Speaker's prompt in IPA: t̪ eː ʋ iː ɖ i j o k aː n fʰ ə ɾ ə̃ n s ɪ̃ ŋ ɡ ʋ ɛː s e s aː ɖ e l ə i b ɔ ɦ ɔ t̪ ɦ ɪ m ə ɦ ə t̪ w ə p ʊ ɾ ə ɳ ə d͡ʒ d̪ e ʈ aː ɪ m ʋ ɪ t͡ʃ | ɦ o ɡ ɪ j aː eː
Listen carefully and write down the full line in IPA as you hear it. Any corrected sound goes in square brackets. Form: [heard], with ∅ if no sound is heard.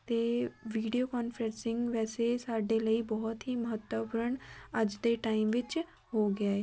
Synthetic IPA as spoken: t̪ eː ʋ iː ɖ i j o k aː n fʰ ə ɾ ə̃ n s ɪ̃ ŋ ɡ ʋ ɛː s e s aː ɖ e l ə i b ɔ ɦ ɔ t̪ ɦ [i] m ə ɦ ə t̪ w ə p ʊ ɾ ə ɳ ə d͡ʒ d̪ e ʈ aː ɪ m ʋ ɪ t͡ʃ | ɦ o ɡ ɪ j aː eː

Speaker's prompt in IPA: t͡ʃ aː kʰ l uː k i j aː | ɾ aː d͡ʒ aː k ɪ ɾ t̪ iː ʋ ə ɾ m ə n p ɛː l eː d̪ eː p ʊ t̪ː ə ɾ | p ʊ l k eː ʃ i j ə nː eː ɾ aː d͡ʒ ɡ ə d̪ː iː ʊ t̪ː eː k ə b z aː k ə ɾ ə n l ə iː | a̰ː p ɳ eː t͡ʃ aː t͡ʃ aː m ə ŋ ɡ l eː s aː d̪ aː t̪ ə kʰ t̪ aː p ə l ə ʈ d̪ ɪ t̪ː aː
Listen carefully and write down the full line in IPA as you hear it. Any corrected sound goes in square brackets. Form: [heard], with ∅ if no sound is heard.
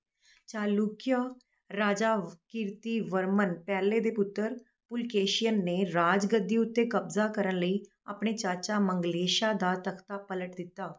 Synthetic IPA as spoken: t͡ʃ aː [∅] l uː k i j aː | ɾ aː d͡ʒ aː k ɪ ɾ t̪ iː ʋ ə ɾ m ə n p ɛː l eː d̪ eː p ʊ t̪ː ə ɾ | p ʊ l k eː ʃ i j ə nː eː ɾ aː d͡ʒ ɡ ə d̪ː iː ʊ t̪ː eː k ə b z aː k ə ɾ ə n l ə iː | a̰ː p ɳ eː t͡ʃ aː t͡ʃ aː m ə ŋ ɡ l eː [ʃ] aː d̪ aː t̪ ə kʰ t̪ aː p ə l ə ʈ d̪ ɪ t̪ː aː

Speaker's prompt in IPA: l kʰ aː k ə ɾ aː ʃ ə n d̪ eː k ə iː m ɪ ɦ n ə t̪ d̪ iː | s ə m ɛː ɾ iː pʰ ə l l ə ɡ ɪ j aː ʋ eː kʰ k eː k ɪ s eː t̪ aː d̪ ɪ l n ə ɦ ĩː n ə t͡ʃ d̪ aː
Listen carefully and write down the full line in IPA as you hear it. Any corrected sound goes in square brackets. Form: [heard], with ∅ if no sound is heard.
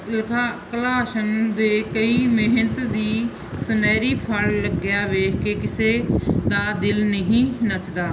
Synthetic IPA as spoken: l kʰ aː k ə [l] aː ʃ ə n d̪ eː k ə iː m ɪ ɦ n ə t̪ d̪ iː | s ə [n] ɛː ɾ iː pʰ ə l l ə ɡ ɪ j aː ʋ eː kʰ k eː k ɪ s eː [d̪] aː d̪ ɪ l n ə ɦ ĩː n ə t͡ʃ d̪ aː

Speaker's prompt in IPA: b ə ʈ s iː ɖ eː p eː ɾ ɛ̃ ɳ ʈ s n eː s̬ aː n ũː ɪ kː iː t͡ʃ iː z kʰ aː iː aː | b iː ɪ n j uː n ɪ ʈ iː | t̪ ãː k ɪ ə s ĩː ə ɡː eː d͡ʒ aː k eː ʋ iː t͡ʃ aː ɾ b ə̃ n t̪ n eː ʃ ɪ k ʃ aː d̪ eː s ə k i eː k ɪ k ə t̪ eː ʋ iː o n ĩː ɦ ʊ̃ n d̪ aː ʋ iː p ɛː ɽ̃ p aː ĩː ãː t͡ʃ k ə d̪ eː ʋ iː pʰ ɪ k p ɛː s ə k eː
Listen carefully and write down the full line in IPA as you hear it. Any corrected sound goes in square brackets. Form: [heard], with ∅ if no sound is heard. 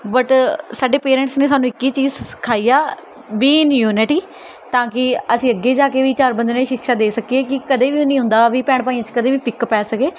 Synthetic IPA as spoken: b ə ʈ s [aː] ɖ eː p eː ɾ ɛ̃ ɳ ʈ s n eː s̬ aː n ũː ɪ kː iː t͡ʃ iː z kʰ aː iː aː | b iː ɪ n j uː n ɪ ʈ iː | t̪ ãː k ɪ ə s ĩː ə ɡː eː d͡ʒ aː k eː ʋ iː t͡ʃ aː ɾ b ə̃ n [d̪] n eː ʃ ɪ k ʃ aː d̪ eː s ə k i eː k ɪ k ə [d̪] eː ʋ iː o n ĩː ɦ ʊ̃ n d̪ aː ʋ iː p ɛː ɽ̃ p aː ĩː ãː t͡ʃ k ə d̪ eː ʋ iː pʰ ɪ k p ɛː s ə k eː

